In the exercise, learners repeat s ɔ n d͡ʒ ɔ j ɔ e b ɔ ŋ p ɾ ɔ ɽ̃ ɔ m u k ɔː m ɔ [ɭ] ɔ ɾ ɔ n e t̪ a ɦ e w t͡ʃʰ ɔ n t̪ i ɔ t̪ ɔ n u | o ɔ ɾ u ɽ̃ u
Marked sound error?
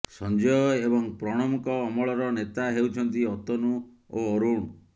no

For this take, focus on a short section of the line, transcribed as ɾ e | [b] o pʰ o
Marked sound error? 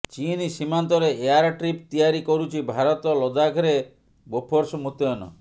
no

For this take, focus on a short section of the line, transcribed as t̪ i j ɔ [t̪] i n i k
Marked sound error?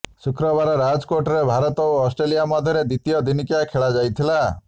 yes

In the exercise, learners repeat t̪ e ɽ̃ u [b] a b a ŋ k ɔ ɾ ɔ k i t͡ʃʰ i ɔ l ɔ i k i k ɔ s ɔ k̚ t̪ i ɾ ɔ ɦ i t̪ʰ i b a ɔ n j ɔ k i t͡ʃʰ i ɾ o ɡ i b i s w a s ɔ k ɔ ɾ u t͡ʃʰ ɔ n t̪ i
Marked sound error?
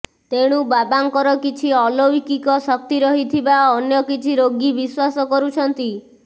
no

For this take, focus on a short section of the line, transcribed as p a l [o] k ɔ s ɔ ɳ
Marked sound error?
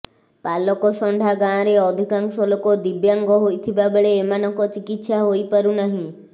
yes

